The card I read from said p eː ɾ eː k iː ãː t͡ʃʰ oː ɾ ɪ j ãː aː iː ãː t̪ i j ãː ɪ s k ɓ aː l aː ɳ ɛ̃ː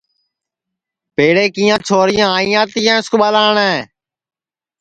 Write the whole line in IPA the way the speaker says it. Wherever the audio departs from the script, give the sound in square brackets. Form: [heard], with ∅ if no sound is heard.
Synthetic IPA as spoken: p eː [ɽ] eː k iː ãː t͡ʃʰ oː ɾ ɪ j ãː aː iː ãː t̪ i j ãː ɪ s k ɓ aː l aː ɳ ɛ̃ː